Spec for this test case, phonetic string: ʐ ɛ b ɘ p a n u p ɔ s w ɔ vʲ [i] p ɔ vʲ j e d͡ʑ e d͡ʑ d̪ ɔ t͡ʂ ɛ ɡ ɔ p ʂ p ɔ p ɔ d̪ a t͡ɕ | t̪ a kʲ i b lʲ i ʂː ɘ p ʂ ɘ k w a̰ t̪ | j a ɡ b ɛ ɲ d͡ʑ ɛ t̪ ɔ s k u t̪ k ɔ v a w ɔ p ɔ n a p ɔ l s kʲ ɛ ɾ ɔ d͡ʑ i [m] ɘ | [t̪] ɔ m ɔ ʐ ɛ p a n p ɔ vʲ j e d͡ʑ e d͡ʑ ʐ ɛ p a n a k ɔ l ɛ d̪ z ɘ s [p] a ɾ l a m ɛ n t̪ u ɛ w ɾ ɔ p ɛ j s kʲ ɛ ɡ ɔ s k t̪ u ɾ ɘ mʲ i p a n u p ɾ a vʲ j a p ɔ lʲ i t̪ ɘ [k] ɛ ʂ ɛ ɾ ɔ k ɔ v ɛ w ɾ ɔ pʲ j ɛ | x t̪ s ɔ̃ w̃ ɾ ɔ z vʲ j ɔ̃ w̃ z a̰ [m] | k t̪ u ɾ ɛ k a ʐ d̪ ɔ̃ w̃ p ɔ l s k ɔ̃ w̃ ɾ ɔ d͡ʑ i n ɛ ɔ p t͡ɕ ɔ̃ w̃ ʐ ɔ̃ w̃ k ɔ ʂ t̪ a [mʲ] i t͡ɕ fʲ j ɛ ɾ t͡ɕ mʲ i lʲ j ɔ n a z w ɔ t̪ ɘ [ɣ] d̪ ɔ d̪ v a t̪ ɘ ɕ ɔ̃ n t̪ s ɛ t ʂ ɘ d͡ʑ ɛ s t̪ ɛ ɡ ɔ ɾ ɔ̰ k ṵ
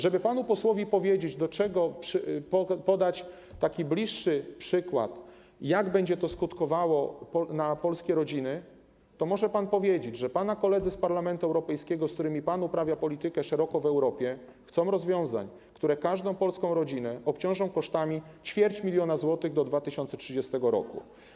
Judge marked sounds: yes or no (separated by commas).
yes, no, yes, yes, yes, no, yes, yes